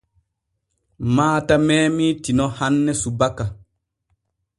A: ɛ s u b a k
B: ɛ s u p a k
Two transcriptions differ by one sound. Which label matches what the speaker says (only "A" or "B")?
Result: A